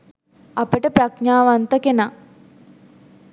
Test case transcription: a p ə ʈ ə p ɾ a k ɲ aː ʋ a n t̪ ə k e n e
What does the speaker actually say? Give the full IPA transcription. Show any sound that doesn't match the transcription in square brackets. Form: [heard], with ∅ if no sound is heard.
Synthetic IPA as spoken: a p ə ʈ ə p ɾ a k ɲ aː ʋ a n t̪ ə k e n [a]